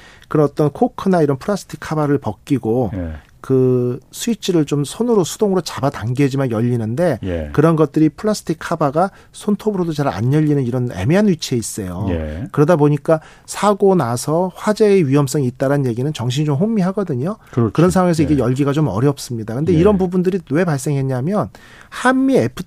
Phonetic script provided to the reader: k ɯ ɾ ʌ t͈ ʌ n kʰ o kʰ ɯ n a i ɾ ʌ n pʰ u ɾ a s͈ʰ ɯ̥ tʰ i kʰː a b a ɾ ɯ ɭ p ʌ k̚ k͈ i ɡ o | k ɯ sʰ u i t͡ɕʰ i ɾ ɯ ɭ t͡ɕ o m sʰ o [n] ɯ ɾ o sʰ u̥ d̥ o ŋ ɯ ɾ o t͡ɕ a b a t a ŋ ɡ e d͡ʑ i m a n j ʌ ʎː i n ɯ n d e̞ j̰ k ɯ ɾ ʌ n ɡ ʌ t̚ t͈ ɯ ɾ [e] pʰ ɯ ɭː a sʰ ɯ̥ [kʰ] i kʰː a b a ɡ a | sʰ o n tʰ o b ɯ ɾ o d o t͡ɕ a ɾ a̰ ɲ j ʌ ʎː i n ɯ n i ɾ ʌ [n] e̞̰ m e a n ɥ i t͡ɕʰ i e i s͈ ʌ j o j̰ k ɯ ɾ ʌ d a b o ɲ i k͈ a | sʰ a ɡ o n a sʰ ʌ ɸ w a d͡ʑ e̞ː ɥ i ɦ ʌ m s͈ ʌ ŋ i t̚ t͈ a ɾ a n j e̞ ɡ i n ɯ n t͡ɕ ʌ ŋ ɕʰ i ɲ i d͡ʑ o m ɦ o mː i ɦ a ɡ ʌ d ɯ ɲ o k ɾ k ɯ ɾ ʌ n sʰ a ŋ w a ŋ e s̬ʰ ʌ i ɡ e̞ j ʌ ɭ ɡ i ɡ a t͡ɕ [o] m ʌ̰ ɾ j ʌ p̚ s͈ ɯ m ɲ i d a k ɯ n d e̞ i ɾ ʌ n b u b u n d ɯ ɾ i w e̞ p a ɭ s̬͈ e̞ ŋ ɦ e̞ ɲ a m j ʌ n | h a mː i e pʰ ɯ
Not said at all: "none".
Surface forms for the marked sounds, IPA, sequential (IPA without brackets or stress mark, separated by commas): n, i, tʰ, n, o